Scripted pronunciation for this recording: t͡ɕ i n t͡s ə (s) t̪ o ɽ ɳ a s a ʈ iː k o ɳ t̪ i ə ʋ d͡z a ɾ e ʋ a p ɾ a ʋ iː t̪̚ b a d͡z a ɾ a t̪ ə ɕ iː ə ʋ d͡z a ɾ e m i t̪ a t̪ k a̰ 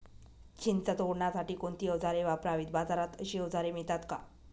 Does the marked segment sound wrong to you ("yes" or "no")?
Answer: yes